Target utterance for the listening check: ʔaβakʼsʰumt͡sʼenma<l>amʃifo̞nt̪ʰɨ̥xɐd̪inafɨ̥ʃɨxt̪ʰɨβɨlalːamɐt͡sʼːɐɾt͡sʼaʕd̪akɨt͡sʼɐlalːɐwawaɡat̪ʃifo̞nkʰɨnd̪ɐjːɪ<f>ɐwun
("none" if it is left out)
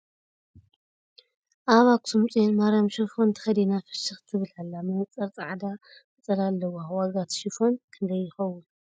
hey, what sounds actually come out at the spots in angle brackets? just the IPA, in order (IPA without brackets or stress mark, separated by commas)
ɾ, x